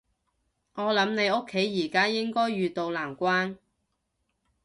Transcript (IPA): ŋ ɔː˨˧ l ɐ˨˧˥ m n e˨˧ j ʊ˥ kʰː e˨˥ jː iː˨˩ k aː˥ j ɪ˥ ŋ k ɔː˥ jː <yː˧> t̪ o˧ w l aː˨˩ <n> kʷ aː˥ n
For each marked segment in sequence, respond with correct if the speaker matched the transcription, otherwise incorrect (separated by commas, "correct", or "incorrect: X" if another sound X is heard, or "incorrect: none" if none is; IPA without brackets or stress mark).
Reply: correct, incorrect: m